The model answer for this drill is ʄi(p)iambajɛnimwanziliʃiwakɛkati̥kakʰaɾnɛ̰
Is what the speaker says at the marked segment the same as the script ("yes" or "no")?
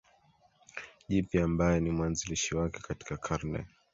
yes